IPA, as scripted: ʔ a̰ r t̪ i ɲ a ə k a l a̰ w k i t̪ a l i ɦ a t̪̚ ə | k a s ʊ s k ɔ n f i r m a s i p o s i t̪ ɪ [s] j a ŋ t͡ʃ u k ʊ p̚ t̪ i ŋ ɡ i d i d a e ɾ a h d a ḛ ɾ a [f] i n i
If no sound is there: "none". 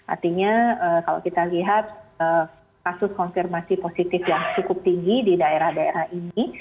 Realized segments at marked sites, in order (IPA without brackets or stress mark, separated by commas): f, h